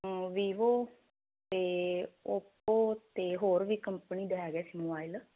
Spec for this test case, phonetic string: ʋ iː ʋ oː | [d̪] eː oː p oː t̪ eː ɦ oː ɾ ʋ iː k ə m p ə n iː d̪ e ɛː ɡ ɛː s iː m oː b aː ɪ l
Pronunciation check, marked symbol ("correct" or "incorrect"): incorrect